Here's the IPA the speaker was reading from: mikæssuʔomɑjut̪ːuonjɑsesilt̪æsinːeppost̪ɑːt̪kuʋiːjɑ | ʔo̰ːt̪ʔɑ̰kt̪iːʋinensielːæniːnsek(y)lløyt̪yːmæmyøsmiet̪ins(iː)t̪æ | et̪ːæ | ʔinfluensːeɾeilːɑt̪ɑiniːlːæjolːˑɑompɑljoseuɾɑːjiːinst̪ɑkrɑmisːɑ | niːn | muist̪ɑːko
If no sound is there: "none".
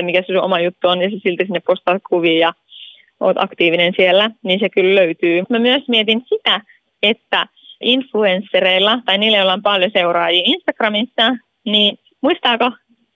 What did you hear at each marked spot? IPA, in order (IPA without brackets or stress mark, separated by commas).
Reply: y, i